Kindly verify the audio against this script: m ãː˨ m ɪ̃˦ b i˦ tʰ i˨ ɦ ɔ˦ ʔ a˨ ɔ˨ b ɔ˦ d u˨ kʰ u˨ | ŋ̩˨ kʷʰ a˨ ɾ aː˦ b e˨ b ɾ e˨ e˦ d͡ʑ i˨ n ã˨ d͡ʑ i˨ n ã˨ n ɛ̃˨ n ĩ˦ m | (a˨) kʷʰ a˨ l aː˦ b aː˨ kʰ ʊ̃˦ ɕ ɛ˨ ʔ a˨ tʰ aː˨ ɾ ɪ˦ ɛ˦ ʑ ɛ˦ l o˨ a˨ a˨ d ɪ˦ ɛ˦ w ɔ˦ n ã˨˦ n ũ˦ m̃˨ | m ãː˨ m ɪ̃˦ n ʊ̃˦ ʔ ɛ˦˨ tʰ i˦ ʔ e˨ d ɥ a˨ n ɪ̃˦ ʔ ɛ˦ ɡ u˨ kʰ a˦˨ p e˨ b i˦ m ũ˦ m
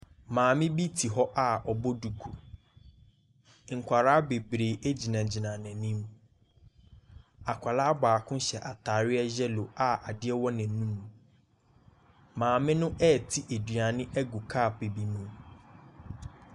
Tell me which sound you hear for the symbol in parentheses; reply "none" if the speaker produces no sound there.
a˨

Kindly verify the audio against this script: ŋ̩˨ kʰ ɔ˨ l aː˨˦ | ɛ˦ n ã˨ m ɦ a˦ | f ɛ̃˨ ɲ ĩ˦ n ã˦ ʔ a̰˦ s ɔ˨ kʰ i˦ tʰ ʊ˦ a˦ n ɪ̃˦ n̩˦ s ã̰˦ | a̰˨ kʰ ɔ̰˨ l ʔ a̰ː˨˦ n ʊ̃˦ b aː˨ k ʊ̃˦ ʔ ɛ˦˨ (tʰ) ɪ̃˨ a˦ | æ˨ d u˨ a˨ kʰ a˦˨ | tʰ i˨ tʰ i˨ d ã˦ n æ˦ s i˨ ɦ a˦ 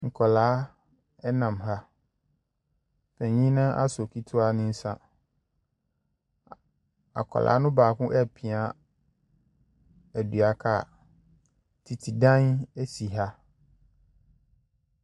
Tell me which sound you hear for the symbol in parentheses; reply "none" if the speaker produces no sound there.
pʰ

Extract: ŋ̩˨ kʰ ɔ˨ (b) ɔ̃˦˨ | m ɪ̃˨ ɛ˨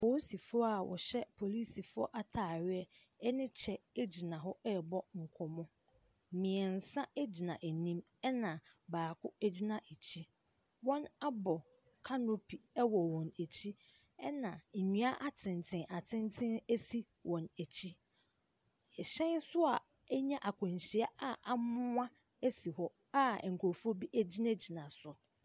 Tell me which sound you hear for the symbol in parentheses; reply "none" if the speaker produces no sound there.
m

